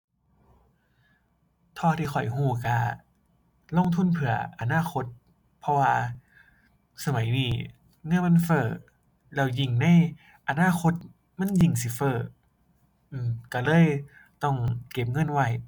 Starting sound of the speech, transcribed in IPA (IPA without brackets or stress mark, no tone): t̪ʰ